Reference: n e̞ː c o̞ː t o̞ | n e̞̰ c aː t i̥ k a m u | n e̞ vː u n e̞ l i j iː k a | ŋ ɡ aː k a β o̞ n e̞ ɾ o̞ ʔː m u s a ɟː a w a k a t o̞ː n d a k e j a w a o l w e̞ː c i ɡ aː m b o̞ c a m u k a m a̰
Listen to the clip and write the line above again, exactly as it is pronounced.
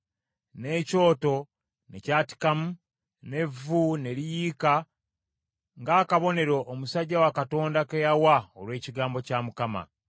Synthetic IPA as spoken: n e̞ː c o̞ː t o̞ | n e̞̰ c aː t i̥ k a m u | n e̞ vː u n e̞ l i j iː k a | ŋ ɡ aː k a β o̞ n e̞ ɾ o̞ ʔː m u s a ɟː a w a k a t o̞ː n d a k e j a w a o l w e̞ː c i ɡ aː m b o̞ c a m u k a m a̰